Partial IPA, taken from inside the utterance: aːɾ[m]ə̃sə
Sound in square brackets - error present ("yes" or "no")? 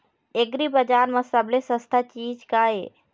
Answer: no